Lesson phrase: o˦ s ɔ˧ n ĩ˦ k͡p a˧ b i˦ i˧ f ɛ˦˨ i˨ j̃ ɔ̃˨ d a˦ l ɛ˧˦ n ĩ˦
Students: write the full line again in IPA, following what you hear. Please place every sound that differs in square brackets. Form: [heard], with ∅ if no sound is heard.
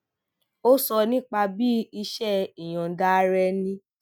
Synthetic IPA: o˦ s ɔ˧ n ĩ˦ k͡p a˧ b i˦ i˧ [ʃ] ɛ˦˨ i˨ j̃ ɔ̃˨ d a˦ [ɾ] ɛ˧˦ n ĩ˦